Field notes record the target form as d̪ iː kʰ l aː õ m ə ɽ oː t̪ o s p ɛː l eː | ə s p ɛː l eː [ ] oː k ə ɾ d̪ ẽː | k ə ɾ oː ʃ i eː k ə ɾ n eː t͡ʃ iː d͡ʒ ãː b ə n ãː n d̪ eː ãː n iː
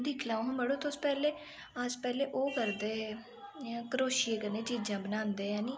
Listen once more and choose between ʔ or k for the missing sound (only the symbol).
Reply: ʔ